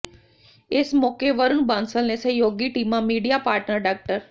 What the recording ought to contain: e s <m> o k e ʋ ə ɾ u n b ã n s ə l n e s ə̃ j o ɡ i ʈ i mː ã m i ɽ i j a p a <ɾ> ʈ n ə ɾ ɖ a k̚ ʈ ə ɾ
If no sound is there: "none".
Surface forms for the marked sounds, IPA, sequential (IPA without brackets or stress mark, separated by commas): m, ɾ